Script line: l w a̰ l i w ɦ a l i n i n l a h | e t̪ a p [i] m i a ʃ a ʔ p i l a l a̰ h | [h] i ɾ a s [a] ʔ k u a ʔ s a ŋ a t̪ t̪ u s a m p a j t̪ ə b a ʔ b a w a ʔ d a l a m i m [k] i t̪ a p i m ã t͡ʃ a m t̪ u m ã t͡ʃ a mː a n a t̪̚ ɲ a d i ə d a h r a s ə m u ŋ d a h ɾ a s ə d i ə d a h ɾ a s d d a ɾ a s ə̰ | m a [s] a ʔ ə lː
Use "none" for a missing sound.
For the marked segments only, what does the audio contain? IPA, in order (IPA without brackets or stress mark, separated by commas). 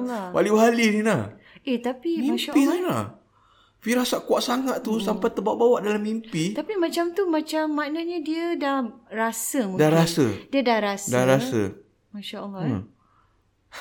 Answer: i, f, a, p, ʃ